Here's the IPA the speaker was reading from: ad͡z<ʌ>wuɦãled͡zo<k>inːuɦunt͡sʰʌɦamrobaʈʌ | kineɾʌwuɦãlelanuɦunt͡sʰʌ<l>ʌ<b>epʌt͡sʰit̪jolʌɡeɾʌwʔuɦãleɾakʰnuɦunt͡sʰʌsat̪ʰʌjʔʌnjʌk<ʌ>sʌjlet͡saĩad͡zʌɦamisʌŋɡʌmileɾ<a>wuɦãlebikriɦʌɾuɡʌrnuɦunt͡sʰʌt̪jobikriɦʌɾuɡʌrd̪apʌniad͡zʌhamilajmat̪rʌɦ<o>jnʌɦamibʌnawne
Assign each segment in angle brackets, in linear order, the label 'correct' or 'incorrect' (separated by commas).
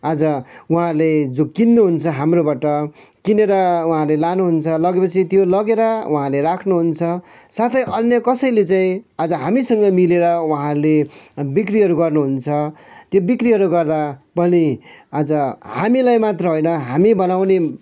correct, correct, correct, incorrect, correct, incorrect, correct